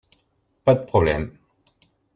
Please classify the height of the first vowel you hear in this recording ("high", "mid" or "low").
low